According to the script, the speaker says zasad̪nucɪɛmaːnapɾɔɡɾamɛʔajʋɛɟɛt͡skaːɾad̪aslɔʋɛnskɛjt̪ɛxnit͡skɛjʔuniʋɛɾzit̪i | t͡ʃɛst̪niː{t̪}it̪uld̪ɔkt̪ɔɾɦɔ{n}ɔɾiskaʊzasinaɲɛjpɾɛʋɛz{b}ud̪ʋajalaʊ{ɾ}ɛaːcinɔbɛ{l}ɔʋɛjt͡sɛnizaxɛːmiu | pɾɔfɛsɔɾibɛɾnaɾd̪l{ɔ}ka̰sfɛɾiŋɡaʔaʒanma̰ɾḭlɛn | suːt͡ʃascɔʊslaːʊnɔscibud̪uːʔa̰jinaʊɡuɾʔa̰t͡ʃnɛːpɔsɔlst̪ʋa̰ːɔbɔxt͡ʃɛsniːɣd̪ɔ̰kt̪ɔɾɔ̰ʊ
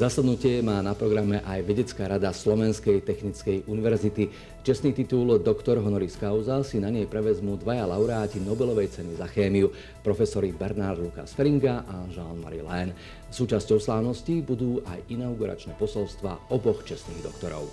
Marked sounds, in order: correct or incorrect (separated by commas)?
correct, correct, incorrect, correct, correct, incorrect